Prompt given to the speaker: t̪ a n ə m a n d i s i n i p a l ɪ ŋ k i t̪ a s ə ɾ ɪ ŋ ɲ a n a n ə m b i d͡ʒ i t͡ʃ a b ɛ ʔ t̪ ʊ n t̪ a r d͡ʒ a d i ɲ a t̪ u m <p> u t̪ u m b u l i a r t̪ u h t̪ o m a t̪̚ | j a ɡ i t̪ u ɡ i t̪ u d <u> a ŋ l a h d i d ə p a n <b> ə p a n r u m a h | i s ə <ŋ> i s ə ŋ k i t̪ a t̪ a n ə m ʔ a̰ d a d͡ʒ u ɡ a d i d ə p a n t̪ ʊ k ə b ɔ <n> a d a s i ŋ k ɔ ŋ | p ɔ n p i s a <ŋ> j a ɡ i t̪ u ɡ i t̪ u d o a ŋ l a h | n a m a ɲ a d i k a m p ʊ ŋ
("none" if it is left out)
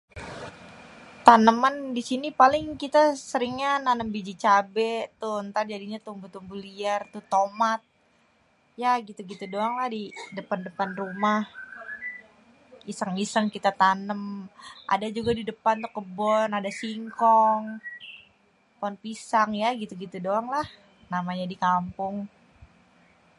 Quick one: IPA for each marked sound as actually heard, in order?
b, o, d, ŋ, n, ŋ

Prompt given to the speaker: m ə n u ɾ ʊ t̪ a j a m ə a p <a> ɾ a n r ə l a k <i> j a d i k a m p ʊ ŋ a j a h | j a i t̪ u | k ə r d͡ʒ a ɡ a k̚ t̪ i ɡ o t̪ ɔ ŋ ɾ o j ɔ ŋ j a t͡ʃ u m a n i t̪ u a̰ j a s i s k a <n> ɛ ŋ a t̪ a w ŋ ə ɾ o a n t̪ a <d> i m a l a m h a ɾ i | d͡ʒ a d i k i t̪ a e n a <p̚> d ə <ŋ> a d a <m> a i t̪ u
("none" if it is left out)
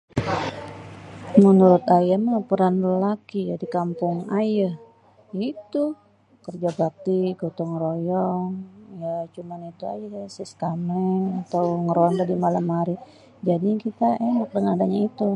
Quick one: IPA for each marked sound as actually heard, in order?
ə, i, m, d, k̚, ŋ, ɲ

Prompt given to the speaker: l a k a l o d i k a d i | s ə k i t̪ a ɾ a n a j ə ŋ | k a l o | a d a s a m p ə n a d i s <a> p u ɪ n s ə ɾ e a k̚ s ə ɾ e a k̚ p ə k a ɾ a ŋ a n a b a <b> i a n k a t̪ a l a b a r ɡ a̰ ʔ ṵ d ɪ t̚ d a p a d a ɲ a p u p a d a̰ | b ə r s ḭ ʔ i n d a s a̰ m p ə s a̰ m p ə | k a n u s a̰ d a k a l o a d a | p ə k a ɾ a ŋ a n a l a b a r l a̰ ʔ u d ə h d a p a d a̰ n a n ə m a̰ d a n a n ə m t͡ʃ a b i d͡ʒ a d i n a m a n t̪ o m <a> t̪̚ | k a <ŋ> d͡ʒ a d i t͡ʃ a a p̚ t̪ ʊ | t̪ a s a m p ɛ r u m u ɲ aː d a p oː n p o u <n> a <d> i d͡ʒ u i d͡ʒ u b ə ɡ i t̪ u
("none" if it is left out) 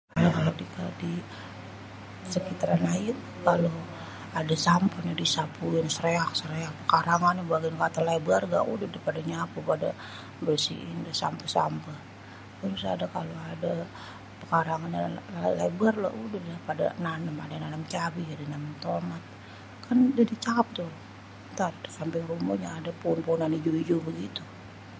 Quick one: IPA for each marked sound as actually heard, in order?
a, ɡ, a, n, n, n

